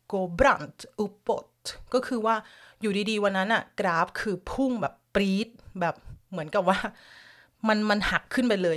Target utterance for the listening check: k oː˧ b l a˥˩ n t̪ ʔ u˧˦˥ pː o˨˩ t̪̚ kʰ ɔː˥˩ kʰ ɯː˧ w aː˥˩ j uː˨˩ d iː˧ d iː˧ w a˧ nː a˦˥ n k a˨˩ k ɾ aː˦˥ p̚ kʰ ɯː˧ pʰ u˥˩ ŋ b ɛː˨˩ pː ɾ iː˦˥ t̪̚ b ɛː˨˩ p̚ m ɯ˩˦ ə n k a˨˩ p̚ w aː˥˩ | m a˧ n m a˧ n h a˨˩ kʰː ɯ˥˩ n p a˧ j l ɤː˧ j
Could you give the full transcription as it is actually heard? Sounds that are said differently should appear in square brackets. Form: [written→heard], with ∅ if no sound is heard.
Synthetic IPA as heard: k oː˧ b [l→ɾ] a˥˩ n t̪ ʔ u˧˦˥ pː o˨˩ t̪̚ [kʰ→k] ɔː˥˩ kʰ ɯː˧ w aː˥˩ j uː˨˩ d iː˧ d iː˧ w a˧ nː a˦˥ n [k→ʔ] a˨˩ k ɾ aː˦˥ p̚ kʰ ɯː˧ pʰ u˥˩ ŋ b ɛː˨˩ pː ɾ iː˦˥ t̪̚ b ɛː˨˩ p̚ m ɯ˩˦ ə n k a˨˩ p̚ w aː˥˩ | m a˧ n m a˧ n h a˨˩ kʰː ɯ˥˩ n p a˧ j l ɤː˧ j